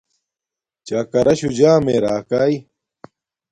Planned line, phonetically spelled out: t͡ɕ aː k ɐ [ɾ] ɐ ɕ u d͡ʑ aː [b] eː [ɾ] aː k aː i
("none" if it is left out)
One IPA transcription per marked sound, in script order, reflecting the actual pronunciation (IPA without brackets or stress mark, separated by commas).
ɾ, m, ɾ